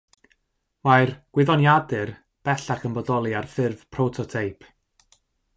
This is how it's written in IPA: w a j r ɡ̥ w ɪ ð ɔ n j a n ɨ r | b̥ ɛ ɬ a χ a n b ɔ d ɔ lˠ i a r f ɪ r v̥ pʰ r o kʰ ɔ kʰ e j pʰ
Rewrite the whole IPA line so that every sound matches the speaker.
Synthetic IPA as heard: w a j r ɡ̥ w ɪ ð ɔ n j a d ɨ r | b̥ ɛ ɬ a χ ə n b ɔ d ɔ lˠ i a r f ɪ r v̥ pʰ r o tʰ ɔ tʰ e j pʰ